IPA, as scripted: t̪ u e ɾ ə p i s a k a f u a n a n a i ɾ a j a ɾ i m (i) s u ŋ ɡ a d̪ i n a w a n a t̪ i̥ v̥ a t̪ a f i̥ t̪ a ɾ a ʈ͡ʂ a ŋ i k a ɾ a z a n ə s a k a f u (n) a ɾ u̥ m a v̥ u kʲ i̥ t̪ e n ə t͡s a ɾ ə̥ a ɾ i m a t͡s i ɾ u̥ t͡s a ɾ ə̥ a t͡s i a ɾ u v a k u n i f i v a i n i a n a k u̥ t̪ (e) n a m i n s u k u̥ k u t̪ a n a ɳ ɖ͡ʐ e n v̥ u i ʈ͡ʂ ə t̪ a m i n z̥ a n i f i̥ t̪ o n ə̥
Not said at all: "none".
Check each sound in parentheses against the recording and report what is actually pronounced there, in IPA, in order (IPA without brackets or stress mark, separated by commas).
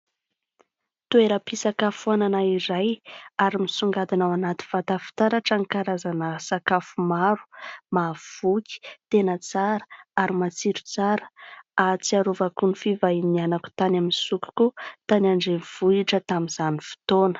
i, m, a